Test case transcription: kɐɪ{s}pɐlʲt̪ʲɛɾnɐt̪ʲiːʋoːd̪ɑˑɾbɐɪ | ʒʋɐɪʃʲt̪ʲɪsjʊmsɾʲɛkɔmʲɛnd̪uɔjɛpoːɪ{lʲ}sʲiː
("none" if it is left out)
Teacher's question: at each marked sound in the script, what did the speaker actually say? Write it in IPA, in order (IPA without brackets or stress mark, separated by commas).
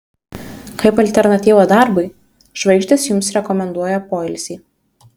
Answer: none, lʲ